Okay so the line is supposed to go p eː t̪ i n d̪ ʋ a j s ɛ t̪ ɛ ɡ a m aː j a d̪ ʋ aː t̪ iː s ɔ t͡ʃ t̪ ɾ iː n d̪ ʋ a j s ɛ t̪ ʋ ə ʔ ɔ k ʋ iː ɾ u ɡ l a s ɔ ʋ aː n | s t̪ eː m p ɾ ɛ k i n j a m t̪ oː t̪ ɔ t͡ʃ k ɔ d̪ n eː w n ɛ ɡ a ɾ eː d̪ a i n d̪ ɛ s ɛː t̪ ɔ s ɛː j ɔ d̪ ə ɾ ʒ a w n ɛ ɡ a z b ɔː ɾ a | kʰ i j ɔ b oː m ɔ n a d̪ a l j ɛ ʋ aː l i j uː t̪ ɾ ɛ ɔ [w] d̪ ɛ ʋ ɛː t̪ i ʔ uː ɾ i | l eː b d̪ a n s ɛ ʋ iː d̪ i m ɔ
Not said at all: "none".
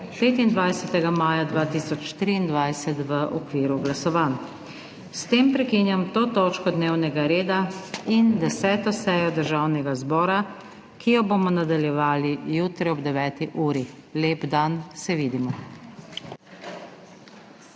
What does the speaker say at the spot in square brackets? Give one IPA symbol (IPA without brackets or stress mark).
b